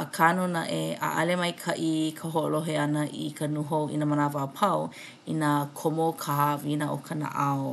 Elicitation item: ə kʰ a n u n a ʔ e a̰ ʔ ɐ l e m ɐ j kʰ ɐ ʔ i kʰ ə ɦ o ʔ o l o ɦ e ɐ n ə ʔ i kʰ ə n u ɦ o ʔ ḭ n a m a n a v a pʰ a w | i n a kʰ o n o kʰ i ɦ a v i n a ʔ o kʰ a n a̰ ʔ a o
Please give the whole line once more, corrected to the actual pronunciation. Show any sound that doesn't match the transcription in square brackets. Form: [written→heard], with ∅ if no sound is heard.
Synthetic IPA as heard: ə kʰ a n u n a ʔ e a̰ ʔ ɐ l e m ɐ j kʰ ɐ ʔ i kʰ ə ɦ o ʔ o l o ɦ e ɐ n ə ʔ i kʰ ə n u ɦ o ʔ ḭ n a m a n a v a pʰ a w | i n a kʰ o [n→m] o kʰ [i→a] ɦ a v i n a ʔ o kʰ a n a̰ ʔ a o